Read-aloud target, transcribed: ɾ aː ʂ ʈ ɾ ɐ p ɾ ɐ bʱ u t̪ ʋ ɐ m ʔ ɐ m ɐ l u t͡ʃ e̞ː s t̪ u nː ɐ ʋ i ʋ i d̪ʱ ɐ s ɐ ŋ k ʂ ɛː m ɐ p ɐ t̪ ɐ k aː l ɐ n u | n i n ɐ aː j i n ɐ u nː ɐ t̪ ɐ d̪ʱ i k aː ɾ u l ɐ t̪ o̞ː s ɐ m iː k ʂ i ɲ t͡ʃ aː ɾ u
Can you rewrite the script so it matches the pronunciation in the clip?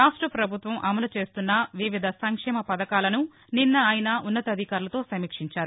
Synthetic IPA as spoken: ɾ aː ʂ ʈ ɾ ɐ p ɾ ɐ bʱ u t̪ ʋ ɐ m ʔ ɐ m ɐ l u t͡ʃ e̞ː s t̪ u nː ɐ ʋ i ʋ i d̪ʱ ɐ s ɐ ŋ k ʂ ɛː m ɐ p ɐ d̪ ɐ k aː l ɐ n u | n i nː ɐ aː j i n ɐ u nː ɐ t̪ ɐ d̪ʱ i k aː ɾ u l ɐ t̪ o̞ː s ɐ m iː k ʂ i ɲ t͡ʃ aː ɾ u